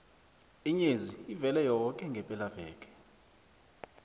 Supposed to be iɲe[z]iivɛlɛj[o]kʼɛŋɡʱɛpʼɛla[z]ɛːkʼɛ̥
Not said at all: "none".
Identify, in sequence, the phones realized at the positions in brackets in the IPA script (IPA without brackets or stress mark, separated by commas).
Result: z, ɔ, v